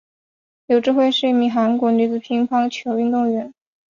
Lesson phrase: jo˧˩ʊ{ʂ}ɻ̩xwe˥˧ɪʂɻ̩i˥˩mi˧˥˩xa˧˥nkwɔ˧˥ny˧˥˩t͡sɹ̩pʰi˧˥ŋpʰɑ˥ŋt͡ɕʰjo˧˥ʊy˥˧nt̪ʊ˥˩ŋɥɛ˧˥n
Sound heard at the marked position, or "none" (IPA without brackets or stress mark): ʈ͡ʂ